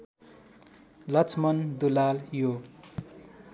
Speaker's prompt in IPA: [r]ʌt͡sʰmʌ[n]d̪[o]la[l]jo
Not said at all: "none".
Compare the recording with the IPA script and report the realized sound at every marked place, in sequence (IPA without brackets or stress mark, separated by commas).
l, n, u, l